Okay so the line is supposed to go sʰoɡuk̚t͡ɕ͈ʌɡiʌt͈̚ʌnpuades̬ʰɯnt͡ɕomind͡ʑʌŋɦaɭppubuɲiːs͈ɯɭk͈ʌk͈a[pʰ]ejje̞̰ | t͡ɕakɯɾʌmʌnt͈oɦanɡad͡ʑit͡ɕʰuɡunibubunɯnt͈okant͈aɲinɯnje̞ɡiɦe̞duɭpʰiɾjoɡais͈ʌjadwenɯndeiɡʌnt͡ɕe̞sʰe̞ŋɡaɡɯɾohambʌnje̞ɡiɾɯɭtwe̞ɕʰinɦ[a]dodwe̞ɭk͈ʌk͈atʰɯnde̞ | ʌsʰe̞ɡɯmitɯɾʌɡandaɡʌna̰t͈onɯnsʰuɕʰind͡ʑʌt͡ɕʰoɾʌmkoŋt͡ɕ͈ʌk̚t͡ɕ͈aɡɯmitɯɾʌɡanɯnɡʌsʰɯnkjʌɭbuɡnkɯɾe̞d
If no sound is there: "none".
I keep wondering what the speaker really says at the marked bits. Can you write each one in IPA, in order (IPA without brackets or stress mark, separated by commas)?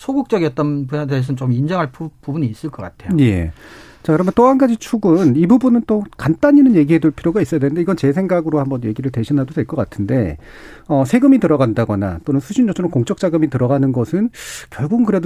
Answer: tʰ, a